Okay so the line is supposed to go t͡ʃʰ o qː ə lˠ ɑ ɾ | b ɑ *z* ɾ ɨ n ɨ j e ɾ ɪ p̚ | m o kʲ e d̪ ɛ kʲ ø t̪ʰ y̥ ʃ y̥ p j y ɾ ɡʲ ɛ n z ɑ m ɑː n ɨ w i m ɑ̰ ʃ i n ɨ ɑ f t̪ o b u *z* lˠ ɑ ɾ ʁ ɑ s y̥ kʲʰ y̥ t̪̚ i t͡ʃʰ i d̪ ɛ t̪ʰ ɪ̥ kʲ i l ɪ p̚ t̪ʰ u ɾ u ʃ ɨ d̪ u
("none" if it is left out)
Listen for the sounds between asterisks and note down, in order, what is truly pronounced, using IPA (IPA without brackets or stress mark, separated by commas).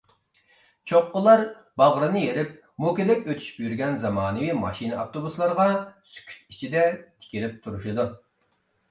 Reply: ʁ, s